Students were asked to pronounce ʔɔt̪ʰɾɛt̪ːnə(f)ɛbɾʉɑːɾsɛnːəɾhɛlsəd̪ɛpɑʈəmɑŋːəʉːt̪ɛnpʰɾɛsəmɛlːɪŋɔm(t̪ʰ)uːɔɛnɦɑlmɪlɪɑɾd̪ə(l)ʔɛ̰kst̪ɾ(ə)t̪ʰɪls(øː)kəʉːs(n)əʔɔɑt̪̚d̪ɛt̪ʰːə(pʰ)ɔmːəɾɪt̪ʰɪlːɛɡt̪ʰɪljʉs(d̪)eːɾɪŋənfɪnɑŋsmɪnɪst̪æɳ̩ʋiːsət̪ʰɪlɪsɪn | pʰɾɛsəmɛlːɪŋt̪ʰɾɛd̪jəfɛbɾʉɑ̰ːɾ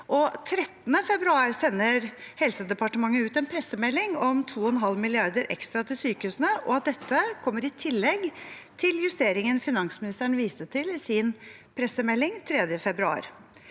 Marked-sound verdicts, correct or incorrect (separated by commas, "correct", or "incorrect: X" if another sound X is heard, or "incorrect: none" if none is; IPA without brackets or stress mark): correct, correct, incorrect: ɾ, incorrect: ɑ, incorrect: yː, correct, incorrect: kʰ, incorrect: t̪